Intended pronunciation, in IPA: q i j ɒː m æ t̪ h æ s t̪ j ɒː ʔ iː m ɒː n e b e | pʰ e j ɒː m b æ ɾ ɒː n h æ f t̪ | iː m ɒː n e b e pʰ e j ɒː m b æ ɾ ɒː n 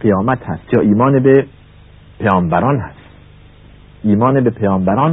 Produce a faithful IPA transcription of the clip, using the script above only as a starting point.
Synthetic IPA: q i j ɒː m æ t̪ h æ s t̪ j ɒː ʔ iː m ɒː n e b e | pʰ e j ɒː m b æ ɾ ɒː n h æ s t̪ | iː m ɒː n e b e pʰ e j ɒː m b æ ɾ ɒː n